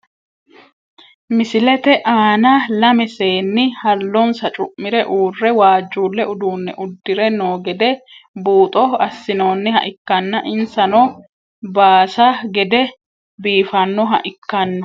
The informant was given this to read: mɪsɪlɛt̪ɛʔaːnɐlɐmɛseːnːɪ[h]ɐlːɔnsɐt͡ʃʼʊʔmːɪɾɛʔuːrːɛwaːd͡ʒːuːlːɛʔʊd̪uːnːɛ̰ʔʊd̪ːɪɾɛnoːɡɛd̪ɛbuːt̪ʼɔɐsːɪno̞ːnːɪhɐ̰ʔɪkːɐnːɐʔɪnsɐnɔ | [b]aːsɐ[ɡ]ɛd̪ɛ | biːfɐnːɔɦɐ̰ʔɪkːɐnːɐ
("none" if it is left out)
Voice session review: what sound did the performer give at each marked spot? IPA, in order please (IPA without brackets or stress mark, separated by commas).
h, b, ɡ